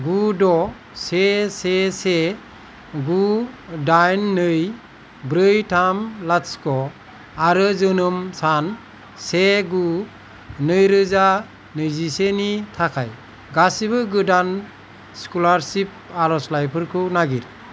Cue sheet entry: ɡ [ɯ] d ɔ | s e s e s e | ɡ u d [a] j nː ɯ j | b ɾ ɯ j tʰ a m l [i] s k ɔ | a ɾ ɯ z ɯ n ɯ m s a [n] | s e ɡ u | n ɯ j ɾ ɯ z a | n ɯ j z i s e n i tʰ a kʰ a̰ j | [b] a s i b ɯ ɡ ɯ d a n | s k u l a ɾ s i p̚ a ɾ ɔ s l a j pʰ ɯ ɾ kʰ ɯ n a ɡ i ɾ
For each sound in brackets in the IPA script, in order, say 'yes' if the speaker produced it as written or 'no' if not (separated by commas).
no, yes, no, yes, no